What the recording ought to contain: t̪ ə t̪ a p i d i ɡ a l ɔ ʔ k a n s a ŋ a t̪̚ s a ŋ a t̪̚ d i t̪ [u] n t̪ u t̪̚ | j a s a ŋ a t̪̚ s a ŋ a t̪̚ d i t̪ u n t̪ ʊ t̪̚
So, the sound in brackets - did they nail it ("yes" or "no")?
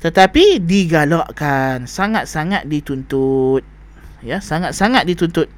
yes